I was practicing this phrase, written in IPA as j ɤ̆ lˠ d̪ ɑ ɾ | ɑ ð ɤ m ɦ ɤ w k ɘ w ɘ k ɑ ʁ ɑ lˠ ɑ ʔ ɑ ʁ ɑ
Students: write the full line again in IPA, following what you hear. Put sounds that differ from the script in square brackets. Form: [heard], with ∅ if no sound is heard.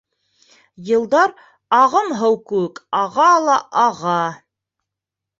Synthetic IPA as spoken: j ɤ̆ lˠ d̪ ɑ ɾ | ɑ [ʁ] ɤ m ɦ ɤ w k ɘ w ɘ k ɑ ʁ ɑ lˠ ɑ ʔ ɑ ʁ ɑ